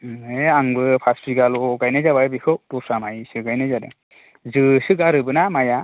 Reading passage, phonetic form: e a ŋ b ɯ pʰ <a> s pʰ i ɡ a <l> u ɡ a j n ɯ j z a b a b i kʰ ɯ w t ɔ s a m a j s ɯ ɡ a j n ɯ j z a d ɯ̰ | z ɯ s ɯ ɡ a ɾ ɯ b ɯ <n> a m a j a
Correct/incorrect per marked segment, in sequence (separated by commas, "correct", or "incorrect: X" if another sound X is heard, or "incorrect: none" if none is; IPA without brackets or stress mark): correct, correct, correct